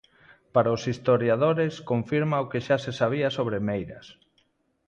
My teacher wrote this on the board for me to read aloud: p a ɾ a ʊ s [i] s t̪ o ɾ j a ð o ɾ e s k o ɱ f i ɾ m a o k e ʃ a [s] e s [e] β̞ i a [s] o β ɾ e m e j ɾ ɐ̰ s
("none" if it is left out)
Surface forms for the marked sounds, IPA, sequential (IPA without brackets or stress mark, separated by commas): i, s, a, s